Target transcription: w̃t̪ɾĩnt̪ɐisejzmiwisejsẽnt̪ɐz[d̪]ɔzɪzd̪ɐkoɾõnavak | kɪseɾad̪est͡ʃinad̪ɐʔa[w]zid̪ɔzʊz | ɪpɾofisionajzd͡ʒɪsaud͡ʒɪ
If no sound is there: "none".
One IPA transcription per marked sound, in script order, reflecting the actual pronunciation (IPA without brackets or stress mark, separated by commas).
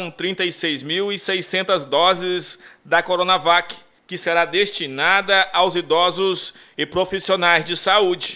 d̪, w